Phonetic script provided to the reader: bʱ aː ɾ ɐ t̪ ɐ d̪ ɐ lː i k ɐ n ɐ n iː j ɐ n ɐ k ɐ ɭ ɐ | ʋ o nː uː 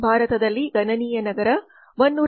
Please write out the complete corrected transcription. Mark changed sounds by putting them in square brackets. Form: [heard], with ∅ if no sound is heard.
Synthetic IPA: bʱ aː ɾ ɐ t̪ ɐ d̪ ɐ lː i [ɡ] ɐ n ɐ n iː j ɐ n ɐ [ɡ] ɐ [ɾ] ɐ | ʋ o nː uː

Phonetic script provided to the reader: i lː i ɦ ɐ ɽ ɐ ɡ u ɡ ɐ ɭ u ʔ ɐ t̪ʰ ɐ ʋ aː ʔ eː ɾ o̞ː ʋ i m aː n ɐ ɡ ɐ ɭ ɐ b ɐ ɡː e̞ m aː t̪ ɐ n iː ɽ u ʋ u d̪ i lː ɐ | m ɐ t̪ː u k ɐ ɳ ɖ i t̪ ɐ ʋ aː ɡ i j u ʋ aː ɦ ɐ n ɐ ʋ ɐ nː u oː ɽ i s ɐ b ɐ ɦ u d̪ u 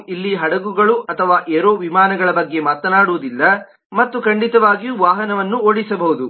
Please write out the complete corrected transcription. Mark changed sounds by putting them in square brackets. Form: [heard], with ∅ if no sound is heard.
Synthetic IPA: i lː i ɦ ɐ ɽ ɐ ɡ u ɡ ɐ ɭ u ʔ ɐ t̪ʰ ɐ ʋ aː ʔ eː ɾ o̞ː ʋ i m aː n ɐ ɡ ɐ ɭ ɐ b ɐ ɡː e̞ m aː t̪ ɐ n [aː] ɽ u ʋ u d̪ i lː ɐ | m ɐ t̪ː u k ɐ ɳ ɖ i t̪ ɐ ʋ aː ɡ i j u ʋ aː ɦ ɐ n ɐ ʋ ɐ nː u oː ɽ i s ɐ b ɐ ɦ u d̪ u

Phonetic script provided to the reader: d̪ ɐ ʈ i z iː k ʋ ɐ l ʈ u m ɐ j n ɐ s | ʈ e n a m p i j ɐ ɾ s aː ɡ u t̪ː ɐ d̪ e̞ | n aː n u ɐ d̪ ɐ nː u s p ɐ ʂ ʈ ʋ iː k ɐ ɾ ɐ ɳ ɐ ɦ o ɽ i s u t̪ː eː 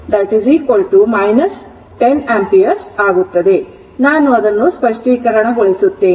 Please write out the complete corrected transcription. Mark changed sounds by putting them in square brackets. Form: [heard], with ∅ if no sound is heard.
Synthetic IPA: d̪ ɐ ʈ i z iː k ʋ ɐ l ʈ u m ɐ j n ɐ s | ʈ e n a m p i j ɐ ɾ s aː ɡ u t̪ː ɐ d̪ e̞ | n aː n u ɐ d̪ ɐ nː u s p ɐ ʂ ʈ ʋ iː k ɐ ɾ ɐ ɳ ɐ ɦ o [ɭ] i s u t̪ː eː

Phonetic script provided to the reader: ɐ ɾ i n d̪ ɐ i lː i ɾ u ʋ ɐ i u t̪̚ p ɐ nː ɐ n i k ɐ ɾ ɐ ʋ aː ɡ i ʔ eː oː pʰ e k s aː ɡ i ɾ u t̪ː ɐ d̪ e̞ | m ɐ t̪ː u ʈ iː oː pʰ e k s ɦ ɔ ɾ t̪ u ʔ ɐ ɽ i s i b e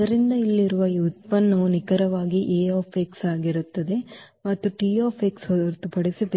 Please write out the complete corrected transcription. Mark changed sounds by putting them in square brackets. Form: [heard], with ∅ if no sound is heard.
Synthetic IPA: ɐ ɾ i n d̪ ɐ i lː i ɾ u ʋ ɐ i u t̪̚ p ɐ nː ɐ n i k ɐ ɾ ɐ ʋ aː ɡ i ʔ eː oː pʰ e k s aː ɡ i ɾ u t̪ː ɐ d̪ e̞ | m ɐ t̪ː u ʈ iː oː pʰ e k s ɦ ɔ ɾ t̪ u [p] ɐ ɽ i s i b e

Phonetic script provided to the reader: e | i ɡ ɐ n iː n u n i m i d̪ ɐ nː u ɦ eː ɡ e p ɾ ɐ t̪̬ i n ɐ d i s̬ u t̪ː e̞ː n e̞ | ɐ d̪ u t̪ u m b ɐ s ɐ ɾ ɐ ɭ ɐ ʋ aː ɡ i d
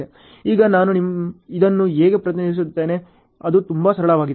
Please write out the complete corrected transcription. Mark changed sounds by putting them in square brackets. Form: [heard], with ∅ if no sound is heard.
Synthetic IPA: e | [iː] ɡ ɐ n [aː] n u n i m i d̪ ɐ nː u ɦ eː ɡ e p ɾ ɐ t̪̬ i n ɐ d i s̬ u t̪ː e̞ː n e̞ | ɐ d̪ u t̪ u m b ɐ s ɐ ɾ ɐ ɭ ɐ ʋ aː ɡ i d

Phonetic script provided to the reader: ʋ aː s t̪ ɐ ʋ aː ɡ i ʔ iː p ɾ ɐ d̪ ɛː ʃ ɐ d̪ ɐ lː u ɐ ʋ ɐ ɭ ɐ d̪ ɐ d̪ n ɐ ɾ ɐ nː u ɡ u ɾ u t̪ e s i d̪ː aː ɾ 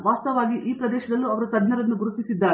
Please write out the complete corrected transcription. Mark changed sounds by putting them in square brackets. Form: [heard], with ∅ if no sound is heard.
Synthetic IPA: ʋ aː s t̪ ɐ ʋ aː ɡ i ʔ iː p ɾ ɐ d̪ ɛː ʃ ɐ d̪ ɐ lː u ɐ ʋ ɐ [ɾ] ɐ [t̪] ɐ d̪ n ɐ ɾ ɐ nː u ɡ u ɾ u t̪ [i] s i d̪ː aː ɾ

